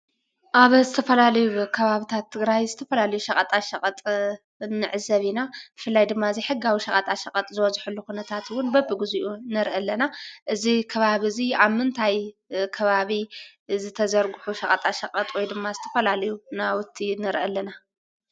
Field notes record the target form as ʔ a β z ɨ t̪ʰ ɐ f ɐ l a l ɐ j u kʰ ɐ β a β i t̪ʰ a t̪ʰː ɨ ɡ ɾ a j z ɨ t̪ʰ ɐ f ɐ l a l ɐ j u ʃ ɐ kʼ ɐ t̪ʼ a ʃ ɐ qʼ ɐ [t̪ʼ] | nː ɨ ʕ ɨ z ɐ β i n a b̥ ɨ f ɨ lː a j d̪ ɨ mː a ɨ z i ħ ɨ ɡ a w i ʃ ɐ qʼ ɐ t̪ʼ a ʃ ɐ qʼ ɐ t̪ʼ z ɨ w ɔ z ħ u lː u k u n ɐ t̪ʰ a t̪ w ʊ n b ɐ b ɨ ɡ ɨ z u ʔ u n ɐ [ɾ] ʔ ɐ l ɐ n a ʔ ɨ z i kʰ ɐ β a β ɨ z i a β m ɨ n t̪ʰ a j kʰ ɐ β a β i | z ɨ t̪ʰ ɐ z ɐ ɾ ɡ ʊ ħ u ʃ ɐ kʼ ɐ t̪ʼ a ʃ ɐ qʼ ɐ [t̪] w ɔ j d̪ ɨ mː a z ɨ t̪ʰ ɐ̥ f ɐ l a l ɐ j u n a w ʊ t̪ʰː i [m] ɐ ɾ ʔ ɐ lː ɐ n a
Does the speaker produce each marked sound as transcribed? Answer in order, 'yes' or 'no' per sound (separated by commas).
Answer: yes, yes, no, no